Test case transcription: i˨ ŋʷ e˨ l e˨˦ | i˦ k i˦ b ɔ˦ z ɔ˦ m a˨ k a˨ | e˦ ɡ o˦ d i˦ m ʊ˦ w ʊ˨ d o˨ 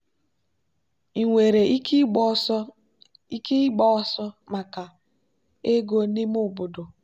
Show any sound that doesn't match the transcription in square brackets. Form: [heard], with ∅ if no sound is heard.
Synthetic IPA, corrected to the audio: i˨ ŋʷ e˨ [ɾ] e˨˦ | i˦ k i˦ [ɡ͡b] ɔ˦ [s] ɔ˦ m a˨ k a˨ | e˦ ɡ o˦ [n] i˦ m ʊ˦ [b] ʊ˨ d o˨

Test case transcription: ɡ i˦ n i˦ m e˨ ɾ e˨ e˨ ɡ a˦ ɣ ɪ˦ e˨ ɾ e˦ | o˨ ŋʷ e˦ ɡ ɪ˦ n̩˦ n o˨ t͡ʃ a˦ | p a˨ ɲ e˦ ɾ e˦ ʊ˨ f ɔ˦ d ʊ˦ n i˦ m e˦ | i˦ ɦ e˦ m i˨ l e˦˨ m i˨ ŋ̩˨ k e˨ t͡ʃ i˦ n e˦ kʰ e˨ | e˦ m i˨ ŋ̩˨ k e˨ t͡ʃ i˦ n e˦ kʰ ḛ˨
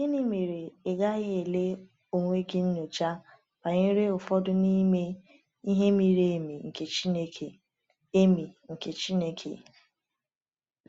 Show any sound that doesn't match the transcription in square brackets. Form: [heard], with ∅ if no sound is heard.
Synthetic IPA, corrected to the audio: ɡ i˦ n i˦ m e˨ ɾ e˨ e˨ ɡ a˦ ɣ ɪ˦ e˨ [l] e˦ | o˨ ŋʷ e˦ ɡ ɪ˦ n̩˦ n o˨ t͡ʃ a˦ | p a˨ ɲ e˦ ɾ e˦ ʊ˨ f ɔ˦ d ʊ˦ n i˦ m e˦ | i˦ ɦ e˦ m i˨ [ɾ] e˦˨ m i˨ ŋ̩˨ k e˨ t͡ʃ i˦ n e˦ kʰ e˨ | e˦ m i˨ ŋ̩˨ k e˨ t͡ʃ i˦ n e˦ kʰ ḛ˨

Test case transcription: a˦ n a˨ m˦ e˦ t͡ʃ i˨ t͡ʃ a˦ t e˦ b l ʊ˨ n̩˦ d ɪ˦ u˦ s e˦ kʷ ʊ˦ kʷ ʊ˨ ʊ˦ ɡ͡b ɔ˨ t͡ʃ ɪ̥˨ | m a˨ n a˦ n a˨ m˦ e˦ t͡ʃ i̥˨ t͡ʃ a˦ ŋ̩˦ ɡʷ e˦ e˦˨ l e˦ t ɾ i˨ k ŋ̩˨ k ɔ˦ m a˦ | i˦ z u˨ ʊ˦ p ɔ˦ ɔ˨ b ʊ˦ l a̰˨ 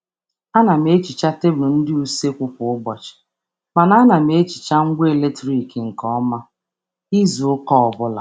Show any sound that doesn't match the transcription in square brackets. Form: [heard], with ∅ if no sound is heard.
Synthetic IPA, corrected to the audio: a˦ n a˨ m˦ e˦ t͡ʃ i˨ t͡ʃ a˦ t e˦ b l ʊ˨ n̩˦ d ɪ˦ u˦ s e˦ kʷ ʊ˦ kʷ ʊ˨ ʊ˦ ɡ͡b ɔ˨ t͡ʃ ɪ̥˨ | m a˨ n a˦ n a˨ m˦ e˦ t͡ʃ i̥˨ t͡ʃ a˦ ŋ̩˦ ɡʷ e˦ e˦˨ l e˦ t ɾ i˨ k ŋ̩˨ k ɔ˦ m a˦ | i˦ z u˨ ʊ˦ [k] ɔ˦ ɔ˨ b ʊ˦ l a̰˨

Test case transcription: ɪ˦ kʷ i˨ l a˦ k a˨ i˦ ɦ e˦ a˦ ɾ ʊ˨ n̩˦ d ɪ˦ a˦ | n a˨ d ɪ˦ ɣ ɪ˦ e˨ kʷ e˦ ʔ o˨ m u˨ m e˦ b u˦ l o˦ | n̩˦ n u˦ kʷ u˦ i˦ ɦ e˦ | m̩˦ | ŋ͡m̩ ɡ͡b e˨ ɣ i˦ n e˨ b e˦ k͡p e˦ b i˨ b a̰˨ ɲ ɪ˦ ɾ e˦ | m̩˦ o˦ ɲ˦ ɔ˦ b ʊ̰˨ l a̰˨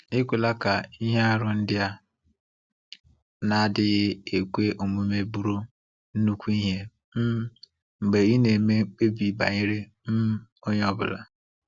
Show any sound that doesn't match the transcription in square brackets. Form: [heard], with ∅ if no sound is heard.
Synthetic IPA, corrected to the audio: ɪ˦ kʷ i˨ l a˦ k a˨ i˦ ɦ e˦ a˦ ɾ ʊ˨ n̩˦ d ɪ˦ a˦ | n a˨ d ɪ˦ ɣ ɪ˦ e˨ kʷ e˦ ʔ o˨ m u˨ m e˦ b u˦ [ɾ] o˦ | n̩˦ n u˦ kʷ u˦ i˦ ɦ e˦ | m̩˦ | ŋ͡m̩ ɡ͡b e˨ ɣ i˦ n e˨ [m] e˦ k͡p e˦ b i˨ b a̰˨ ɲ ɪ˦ ɾ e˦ | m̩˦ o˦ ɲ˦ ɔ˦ b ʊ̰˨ l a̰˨

